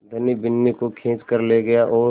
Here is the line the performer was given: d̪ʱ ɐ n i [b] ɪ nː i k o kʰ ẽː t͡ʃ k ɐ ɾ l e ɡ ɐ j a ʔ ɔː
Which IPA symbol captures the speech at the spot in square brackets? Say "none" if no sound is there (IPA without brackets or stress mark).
b